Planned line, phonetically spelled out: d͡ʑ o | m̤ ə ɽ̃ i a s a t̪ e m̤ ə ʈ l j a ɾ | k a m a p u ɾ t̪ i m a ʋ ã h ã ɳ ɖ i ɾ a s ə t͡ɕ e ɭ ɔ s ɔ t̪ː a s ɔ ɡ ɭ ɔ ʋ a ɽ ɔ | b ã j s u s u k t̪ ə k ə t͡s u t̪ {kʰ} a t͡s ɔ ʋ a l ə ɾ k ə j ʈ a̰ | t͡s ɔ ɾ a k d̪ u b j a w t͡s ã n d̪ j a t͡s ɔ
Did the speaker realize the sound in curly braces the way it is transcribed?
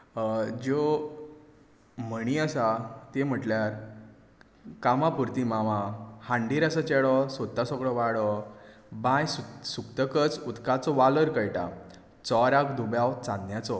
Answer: no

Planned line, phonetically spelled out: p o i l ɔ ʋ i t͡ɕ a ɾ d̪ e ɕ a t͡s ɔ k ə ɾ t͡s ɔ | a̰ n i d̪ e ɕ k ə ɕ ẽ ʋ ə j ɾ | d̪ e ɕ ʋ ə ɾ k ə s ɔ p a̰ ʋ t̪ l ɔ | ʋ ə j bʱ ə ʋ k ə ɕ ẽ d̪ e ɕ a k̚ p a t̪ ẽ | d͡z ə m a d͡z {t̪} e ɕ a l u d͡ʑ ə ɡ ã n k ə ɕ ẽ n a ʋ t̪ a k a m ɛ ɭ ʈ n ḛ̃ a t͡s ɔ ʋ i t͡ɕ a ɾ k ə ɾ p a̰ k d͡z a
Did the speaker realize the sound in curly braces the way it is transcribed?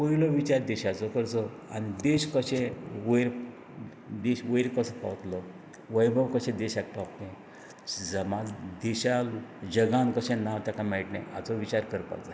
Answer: no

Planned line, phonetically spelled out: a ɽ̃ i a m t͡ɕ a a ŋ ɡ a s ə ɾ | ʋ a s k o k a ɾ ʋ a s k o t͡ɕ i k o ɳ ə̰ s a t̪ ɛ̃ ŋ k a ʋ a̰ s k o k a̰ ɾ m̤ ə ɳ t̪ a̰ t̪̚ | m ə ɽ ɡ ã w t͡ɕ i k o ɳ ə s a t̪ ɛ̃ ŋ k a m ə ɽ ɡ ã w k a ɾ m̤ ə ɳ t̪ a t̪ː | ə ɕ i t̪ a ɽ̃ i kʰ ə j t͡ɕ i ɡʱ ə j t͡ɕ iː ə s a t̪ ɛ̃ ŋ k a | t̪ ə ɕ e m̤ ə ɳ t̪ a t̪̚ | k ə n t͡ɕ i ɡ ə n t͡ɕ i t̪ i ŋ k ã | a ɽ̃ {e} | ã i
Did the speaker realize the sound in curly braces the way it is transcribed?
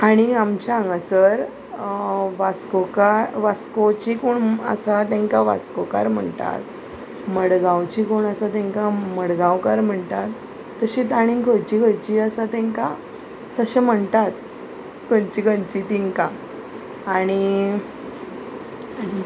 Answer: no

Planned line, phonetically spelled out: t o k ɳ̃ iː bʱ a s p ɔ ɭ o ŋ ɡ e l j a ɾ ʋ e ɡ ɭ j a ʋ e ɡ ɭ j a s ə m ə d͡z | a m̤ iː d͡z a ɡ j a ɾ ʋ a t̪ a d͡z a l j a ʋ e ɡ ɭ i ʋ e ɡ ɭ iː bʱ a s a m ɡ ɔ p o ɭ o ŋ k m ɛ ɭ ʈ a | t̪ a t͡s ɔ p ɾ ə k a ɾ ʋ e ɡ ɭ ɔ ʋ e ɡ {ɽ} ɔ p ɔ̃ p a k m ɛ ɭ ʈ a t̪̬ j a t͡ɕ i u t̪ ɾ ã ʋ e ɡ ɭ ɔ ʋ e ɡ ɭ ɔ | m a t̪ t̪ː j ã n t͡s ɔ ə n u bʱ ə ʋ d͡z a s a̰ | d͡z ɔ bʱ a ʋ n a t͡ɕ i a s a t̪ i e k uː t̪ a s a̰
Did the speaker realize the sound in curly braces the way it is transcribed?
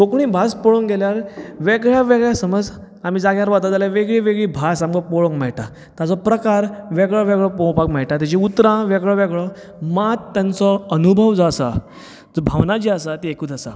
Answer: no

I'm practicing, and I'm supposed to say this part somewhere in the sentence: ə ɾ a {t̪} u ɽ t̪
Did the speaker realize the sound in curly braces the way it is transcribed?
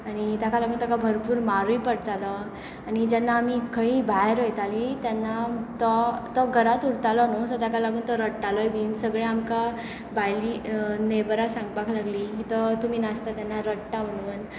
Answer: yes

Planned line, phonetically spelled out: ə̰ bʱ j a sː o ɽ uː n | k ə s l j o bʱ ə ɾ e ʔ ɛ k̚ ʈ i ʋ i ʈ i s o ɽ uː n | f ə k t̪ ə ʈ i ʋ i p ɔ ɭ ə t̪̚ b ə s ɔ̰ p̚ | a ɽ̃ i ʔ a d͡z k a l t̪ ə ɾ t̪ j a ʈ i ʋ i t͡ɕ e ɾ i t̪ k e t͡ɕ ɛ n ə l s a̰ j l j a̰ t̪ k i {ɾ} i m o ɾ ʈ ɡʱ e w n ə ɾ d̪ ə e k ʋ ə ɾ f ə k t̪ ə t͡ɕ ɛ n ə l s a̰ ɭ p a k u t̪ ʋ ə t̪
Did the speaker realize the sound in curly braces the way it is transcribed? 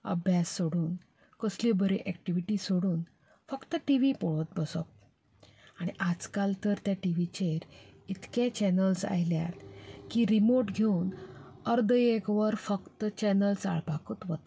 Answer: yes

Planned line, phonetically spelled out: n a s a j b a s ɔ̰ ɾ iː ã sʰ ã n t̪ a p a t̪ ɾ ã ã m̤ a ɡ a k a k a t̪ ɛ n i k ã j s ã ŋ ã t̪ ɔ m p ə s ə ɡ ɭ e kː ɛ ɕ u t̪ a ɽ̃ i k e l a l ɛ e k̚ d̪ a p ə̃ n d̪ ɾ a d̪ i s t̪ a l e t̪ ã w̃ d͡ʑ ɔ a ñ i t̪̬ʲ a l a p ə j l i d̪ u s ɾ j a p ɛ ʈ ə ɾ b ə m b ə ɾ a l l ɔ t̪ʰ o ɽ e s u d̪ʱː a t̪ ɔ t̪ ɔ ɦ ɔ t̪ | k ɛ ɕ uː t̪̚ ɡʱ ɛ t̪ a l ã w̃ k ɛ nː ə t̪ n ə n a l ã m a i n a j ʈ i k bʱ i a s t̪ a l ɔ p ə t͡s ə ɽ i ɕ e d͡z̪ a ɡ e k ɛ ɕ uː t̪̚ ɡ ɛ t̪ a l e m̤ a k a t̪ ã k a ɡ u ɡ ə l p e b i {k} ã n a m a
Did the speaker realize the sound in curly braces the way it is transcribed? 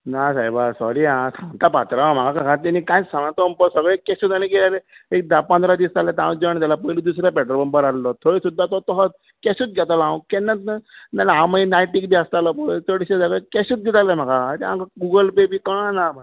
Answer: yes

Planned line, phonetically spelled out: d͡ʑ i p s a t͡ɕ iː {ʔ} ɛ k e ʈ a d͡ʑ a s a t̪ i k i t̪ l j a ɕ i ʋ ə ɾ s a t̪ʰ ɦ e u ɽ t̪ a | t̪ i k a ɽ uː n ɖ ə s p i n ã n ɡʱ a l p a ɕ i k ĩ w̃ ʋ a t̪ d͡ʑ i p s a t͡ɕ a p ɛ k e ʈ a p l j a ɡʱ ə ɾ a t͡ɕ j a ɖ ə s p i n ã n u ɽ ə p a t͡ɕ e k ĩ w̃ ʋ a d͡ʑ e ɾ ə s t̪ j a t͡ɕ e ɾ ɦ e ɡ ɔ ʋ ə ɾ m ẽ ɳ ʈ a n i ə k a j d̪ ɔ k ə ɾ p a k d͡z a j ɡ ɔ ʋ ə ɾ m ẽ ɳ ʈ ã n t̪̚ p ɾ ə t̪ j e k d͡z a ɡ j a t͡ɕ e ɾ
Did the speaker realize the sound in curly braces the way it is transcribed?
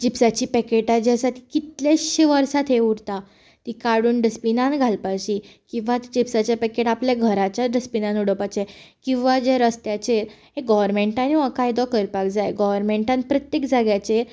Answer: no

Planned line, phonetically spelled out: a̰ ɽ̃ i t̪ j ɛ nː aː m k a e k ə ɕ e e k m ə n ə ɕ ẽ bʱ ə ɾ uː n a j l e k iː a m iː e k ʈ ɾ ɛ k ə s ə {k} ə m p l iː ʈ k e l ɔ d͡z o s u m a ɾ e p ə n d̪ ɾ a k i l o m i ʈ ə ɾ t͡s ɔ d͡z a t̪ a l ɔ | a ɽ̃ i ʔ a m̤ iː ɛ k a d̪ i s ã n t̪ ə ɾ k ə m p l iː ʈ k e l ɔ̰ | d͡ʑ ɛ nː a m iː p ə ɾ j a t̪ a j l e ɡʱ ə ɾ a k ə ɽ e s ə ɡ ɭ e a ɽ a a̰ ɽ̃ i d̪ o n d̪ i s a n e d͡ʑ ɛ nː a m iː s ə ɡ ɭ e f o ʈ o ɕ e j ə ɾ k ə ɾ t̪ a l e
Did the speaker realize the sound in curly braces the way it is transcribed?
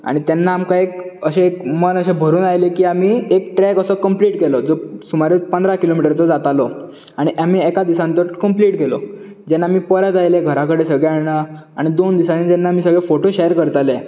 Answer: yes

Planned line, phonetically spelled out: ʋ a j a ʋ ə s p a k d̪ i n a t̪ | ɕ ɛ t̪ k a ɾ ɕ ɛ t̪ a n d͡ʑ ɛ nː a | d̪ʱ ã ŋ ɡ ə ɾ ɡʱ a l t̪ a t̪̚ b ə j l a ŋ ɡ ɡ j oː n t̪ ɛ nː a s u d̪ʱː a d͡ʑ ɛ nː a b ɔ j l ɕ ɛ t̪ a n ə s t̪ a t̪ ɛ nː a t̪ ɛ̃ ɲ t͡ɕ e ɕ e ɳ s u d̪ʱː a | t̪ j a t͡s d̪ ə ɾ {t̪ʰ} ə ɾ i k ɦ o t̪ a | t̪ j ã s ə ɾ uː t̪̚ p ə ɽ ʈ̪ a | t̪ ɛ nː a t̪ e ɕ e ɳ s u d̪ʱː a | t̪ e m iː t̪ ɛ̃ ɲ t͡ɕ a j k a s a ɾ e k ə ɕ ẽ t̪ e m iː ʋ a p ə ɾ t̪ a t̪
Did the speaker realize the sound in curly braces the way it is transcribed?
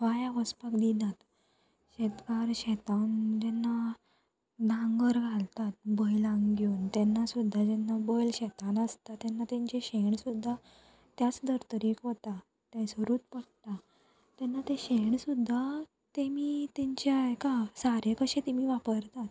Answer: no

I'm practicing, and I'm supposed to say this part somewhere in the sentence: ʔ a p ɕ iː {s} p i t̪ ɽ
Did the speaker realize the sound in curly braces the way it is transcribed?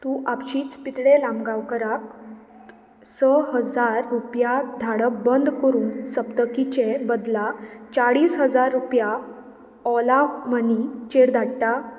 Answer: no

